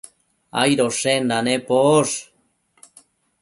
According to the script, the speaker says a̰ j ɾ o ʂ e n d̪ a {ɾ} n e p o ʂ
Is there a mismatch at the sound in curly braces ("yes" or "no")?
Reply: yes